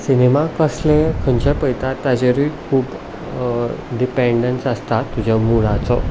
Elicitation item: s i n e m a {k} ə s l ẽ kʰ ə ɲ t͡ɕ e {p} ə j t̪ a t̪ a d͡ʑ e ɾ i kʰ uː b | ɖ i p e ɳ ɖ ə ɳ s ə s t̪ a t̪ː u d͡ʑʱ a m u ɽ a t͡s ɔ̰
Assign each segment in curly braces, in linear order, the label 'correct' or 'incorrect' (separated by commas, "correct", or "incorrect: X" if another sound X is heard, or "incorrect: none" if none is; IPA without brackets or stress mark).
correct, correct